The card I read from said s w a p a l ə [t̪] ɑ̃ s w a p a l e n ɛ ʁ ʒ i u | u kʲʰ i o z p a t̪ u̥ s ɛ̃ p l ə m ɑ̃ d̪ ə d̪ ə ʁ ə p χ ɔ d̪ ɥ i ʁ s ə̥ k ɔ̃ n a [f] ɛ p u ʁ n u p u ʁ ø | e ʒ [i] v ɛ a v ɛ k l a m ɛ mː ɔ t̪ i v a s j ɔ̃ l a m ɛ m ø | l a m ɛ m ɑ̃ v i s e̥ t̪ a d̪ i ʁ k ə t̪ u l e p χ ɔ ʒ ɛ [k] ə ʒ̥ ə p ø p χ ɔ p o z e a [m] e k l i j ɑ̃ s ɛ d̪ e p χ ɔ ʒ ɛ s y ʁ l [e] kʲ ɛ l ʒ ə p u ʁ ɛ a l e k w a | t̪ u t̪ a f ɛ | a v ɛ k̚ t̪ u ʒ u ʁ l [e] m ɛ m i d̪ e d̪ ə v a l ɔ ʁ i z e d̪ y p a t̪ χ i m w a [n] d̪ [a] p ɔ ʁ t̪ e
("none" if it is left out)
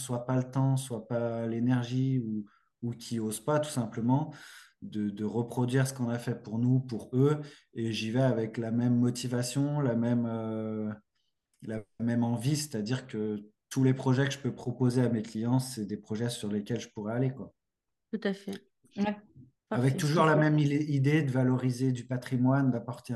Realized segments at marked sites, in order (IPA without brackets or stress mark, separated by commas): t̪, f, i, k, m, e, a, n, a